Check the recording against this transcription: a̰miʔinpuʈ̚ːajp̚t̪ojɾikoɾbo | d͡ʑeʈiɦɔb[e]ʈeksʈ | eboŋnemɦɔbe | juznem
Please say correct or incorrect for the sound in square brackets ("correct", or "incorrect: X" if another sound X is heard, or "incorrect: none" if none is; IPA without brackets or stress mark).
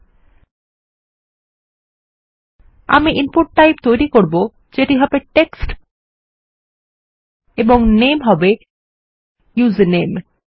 correct